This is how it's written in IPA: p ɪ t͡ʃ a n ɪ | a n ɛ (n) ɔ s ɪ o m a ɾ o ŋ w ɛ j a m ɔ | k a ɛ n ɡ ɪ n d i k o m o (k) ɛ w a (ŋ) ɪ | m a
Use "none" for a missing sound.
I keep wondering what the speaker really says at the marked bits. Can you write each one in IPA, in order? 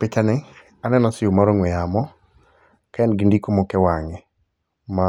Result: n, k, ŋ

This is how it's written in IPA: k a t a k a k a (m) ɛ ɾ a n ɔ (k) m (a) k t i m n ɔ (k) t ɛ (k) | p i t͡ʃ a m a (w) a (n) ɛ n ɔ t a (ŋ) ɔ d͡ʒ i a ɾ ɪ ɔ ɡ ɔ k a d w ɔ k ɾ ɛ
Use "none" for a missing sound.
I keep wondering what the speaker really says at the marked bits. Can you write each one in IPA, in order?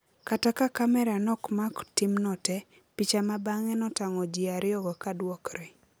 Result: m, k, a, none, none, b, ŋ, ŋ

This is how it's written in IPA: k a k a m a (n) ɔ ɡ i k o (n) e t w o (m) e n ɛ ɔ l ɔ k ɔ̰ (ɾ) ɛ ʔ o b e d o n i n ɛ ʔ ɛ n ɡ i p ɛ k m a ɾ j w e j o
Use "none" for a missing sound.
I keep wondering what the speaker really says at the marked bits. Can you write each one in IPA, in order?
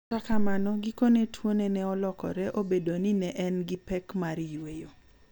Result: n, n, n, ɾ

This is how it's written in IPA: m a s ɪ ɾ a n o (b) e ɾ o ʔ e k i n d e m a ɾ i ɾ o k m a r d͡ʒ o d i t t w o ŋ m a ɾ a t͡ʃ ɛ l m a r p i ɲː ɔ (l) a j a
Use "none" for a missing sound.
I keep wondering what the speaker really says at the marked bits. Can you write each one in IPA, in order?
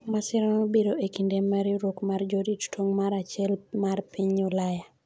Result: b, l

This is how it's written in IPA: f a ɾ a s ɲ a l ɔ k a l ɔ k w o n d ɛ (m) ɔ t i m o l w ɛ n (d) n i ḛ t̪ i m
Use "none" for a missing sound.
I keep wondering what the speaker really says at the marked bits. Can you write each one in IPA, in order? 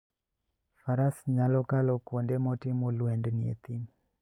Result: m, d

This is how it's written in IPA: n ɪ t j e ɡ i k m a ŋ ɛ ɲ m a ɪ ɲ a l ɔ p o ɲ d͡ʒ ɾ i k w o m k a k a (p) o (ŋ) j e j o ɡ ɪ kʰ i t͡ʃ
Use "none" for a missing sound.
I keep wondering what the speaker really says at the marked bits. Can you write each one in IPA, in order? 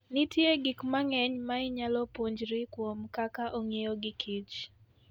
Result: ʔ, ŋ

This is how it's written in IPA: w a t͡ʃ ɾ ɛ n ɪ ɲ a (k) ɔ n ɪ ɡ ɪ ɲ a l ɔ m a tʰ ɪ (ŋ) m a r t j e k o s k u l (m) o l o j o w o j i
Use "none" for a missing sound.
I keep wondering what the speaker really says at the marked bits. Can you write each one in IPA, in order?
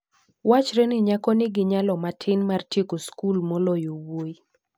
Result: k, n, m

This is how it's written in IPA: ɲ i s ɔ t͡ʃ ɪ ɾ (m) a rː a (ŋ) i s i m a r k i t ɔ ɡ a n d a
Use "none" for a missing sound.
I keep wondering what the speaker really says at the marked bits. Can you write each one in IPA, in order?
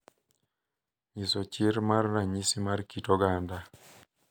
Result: m, ɲ

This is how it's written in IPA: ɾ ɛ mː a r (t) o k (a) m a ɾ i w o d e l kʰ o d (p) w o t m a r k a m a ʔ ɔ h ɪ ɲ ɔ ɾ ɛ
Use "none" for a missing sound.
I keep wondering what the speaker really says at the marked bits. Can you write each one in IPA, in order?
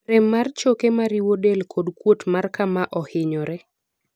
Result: t͡ʃ, e, k

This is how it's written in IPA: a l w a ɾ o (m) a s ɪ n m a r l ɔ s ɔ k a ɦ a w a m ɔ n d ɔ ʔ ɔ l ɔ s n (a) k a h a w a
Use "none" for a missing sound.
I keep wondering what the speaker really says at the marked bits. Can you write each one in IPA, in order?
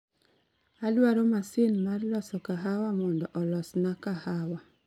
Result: m, a

